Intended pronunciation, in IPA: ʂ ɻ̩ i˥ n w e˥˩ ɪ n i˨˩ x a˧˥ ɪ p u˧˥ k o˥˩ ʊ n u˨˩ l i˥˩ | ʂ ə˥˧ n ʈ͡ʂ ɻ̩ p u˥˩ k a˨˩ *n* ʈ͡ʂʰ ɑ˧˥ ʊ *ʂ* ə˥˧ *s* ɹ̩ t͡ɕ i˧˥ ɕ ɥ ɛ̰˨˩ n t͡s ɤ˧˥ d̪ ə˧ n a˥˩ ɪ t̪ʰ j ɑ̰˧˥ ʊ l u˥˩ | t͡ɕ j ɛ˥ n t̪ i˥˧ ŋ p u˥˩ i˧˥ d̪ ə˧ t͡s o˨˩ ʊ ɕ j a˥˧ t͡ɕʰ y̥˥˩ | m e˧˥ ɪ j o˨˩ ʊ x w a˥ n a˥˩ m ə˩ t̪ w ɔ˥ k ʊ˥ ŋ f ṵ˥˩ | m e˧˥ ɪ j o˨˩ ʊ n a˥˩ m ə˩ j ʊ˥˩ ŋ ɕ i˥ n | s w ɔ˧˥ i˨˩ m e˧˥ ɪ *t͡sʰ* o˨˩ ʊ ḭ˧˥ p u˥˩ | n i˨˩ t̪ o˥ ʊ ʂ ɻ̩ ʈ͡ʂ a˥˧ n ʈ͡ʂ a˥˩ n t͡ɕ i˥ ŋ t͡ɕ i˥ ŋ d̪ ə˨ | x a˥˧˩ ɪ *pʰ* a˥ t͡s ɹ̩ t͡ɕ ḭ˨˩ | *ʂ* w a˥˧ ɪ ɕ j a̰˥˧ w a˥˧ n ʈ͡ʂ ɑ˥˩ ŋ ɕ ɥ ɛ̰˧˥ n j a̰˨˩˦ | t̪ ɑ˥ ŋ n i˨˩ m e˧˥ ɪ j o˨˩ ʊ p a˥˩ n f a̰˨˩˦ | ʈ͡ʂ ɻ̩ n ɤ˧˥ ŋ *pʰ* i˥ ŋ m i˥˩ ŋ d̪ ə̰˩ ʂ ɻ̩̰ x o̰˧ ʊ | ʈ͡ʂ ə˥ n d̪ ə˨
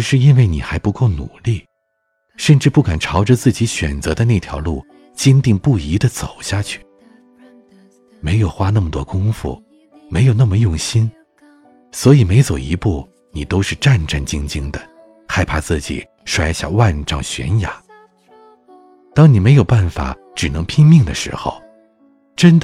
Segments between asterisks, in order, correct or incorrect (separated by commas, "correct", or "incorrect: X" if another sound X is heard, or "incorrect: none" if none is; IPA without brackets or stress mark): correct, incorrect: ʈ͡ʂ, incorrect: t͡s, incorrect: t͡s, correct, correct, correct